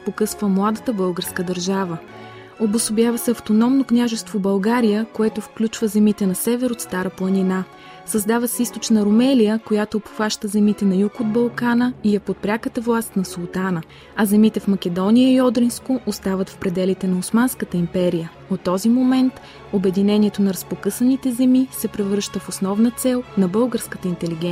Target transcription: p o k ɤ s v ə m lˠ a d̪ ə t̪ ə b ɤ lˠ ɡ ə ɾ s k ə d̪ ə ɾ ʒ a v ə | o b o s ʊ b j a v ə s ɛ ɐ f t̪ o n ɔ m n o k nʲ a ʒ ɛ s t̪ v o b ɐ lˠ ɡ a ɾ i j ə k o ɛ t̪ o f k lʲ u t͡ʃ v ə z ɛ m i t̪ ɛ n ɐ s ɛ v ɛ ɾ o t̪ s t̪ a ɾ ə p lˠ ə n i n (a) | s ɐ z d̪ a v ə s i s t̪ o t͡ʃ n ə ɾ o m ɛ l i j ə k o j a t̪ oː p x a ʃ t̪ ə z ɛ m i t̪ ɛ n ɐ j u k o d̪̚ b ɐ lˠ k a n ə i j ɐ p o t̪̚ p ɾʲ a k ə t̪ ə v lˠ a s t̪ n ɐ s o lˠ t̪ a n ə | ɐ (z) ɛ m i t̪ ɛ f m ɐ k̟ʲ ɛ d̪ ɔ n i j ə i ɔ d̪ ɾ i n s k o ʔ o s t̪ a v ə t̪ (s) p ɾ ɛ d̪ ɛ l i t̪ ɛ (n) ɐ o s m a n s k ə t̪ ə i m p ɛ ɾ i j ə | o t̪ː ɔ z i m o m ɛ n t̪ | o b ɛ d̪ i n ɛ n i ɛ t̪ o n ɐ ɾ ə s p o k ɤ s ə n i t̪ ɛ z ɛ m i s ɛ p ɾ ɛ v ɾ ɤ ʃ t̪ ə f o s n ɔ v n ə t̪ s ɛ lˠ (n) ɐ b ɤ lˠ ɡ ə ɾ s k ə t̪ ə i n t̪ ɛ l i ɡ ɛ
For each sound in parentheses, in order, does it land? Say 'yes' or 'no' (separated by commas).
yes, yes, no, yes, yes